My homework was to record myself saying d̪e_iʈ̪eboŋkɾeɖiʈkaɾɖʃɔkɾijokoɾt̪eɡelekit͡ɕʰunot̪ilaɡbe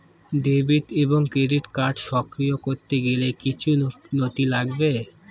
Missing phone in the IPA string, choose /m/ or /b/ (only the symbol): b